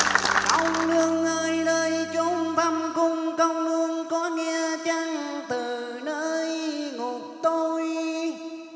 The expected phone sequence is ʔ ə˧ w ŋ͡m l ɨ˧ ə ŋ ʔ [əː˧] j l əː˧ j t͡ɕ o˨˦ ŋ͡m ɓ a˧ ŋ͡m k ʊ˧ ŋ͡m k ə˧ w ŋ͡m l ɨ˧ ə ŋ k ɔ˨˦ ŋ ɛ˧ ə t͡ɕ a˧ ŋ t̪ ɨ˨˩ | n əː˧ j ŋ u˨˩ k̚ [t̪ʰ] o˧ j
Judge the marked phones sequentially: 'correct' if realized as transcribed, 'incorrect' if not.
correct, incorrect: t̪

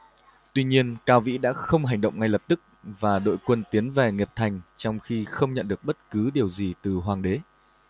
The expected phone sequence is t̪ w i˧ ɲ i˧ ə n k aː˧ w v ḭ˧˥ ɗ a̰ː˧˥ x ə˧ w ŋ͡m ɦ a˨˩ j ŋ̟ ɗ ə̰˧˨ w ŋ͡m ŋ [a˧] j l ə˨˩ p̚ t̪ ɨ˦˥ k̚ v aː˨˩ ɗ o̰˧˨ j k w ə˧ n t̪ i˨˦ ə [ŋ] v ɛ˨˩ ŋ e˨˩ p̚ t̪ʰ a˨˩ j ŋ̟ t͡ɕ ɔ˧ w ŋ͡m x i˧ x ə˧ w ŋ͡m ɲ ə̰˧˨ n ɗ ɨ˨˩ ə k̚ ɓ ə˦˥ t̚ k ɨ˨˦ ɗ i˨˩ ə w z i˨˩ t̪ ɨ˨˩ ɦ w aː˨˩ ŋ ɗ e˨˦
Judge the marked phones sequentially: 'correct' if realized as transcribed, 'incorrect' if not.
correct, incorrect: n

